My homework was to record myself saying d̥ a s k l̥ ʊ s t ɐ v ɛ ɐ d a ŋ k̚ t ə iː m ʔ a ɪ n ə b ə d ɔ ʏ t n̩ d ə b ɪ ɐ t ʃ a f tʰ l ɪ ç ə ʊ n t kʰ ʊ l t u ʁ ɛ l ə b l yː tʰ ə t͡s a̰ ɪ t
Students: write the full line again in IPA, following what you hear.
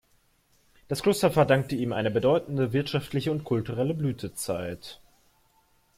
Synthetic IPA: d̥ a s k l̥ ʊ s t ɐ f ɛ ɐ d a ŋ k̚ t ə iː m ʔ a ɪ n ə b ə d ɔ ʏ t n̩ d ə v ɪ ɐ t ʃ a f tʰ l ɪ ç ə ʊ n t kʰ ʊ l t u ʁ ɛ l ə b l yː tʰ ə t͡s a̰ ɪ t